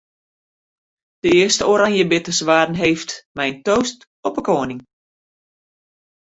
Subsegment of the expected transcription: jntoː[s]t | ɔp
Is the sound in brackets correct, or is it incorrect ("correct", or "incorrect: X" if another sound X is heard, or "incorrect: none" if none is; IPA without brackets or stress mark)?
correct